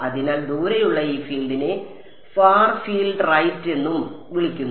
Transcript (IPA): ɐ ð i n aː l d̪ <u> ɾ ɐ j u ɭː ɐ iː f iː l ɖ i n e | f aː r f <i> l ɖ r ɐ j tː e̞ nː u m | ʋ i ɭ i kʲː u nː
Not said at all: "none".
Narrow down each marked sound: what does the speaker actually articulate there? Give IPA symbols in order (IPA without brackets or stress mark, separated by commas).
uː, iː